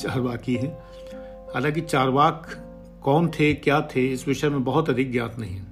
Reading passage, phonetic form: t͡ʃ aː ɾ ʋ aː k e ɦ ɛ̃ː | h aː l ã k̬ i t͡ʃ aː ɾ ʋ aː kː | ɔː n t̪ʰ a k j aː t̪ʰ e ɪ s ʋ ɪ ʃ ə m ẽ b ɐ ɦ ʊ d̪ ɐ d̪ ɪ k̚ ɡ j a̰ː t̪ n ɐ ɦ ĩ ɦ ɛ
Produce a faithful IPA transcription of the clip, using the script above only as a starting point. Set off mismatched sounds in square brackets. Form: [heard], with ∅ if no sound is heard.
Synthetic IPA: t͡ʃ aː ɾ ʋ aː k [i] ɦ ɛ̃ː | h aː l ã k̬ i t͡ʃ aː ɾ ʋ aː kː | ɔː n t̪ʰ [e] k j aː t̪ʰ e ɪ s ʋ ɪ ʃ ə m ẽ b ɐ ɦ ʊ [t̪] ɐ d̪ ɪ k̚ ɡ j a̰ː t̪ n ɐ ɦ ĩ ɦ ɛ